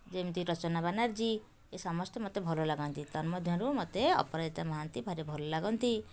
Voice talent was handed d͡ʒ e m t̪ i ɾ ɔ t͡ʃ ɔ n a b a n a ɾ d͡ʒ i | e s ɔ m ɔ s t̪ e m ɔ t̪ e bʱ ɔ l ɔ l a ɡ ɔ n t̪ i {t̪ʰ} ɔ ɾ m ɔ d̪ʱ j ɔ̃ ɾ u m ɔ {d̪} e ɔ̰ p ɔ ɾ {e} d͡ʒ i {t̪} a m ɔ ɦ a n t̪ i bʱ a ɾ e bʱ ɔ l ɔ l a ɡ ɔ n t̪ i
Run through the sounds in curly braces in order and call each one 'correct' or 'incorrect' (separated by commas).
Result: incorrect, incorrect, incorrect, correct